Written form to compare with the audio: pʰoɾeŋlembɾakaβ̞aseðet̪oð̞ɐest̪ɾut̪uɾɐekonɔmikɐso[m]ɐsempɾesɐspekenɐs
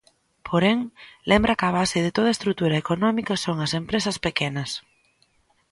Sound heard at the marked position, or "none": ŋ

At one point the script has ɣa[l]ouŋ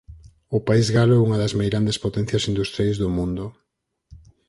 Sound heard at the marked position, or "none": l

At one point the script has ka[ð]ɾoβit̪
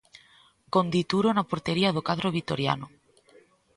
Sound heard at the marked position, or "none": ð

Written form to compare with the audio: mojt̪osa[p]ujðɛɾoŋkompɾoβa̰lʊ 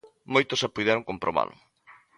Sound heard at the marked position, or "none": p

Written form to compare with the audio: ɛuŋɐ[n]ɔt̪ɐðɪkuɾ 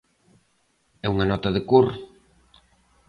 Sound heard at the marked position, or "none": n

